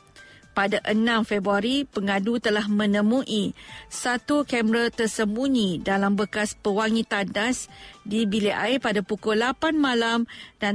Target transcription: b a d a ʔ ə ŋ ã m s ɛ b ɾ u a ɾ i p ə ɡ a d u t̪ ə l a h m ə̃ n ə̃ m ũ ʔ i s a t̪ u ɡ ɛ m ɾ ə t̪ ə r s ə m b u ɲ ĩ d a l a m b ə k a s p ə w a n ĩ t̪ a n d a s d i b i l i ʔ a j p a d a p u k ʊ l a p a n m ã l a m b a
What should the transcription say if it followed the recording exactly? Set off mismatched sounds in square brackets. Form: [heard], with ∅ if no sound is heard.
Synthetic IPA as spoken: [p] a d a ʔ ə [n] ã m [f] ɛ b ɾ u a ɾ i p ə [ŋ] a d u t̪ ə l a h m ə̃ n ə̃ m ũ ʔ i s a t̪ u [k] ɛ m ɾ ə t̪ ə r s ə m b u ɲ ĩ d a l a m b ə k a s p ə w a [ŋ] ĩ t̪ a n d a s d i b i l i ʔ a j p a d a p u k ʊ l a p a n m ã l a m [d] a